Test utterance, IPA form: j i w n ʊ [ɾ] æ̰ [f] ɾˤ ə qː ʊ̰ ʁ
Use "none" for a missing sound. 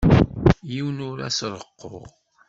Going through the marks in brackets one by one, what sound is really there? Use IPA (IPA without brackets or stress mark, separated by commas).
ɾ, s